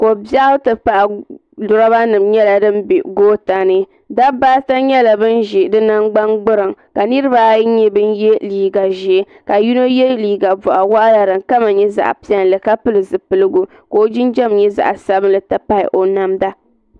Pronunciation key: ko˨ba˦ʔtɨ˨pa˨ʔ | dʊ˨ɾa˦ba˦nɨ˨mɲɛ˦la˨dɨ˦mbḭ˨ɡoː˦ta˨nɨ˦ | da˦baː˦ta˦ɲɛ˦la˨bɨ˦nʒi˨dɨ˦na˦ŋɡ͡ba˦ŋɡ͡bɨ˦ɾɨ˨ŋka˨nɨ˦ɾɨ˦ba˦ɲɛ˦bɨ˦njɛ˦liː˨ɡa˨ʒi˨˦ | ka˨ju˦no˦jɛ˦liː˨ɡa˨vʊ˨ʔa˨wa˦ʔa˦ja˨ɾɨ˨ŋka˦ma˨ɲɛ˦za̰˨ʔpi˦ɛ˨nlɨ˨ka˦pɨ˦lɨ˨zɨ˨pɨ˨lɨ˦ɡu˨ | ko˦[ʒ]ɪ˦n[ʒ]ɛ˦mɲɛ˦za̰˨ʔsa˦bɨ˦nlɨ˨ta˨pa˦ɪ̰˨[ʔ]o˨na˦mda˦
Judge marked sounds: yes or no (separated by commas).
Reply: no, no, yes